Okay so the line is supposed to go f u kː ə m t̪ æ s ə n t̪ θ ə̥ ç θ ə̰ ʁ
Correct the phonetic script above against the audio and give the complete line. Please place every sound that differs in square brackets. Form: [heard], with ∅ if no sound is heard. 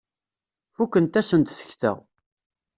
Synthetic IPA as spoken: f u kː ə [n] t̪ æ s ə n t̪ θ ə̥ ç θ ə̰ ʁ